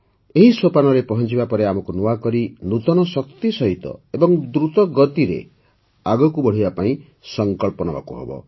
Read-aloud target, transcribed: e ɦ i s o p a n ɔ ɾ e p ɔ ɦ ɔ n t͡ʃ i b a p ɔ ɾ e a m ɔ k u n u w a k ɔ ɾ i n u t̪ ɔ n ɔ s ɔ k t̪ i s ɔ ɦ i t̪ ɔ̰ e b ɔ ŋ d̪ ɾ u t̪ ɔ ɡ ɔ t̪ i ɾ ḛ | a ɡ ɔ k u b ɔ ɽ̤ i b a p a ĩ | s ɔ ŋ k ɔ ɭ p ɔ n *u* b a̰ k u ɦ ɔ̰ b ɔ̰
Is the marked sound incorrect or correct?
incorrect